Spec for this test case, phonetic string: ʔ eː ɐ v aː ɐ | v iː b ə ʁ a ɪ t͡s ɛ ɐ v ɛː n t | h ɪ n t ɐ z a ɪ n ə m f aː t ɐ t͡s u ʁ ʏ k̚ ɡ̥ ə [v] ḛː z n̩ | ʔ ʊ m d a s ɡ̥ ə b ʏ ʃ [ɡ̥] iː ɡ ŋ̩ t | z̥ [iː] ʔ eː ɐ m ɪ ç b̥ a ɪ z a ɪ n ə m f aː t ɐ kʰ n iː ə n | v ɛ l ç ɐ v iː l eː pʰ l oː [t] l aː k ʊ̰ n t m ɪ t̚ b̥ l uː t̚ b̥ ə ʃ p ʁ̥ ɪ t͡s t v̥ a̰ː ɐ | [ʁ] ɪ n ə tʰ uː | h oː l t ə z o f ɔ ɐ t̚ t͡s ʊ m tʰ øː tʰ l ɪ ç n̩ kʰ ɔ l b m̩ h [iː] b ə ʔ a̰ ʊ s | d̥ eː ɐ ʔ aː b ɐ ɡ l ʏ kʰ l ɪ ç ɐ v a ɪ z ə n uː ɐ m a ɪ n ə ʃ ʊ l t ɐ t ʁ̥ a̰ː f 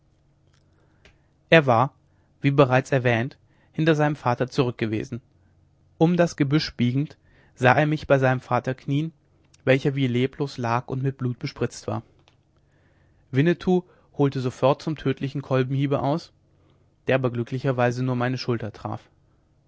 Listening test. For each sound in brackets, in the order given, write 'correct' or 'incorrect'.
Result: correct, incorrect, incorrect, incorrect, incorrect, correct

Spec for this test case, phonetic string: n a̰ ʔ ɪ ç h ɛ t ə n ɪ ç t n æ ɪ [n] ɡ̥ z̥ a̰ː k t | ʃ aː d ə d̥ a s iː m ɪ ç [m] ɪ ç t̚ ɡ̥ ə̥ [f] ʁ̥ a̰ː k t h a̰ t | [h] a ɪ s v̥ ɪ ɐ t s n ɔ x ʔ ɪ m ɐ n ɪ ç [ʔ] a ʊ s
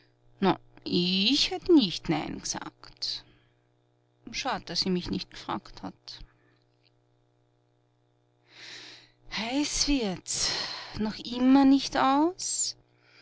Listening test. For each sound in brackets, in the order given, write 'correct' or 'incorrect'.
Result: correct, incorrect, correct, correct, incorrect

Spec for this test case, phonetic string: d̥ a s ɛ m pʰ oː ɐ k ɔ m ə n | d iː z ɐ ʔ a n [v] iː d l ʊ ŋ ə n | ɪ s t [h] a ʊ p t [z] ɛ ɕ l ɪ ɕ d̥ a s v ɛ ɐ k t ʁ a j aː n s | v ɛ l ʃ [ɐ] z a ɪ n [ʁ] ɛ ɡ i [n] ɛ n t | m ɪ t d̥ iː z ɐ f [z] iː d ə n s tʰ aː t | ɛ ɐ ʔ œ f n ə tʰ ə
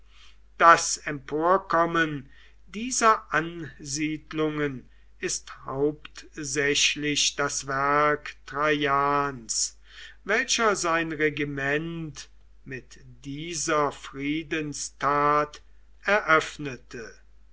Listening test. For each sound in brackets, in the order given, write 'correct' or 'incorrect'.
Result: incorrect, correct, correct, correct, correct, incorrect, incorrect

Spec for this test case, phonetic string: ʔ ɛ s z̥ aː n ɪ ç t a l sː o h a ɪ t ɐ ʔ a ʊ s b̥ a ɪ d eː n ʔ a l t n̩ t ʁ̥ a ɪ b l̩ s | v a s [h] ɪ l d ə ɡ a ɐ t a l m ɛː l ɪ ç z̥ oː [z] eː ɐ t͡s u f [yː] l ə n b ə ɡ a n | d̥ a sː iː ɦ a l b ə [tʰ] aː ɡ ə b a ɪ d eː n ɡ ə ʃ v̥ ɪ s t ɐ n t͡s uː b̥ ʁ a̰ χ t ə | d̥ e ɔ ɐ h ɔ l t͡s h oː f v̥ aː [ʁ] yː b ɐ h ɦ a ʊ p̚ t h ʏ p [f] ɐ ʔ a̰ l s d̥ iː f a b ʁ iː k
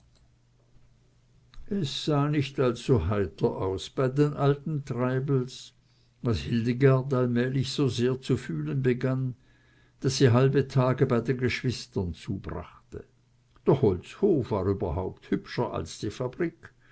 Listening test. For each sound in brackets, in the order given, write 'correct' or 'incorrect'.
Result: correct, correct, correct, correct, correct, incorrect

